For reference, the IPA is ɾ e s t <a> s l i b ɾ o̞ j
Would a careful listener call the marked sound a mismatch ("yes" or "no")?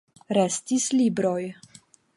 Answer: yes